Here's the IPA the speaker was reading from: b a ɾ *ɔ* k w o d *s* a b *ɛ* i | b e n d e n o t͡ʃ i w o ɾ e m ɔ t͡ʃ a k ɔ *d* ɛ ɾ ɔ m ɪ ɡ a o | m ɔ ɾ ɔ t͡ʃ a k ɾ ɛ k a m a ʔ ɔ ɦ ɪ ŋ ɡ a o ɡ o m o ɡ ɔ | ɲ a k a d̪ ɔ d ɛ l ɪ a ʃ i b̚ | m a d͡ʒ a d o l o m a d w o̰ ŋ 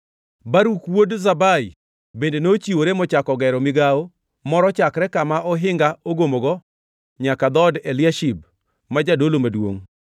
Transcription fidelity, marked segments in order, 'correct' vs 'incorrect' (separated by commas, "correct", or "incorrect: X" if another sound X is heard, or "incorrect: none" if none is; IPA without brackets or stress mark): incorrect: u, incorrect: z, incorrect: a, incorrect: ɡ